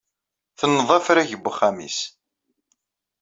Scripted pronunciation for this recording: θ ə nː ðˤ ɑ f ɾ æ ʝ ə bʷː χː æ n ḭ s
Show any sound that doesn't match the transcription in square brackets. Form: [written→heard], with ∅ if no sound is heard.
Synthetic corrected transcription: θ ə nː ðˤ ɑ f ɾ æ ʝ ə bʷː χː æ [n→m] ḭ s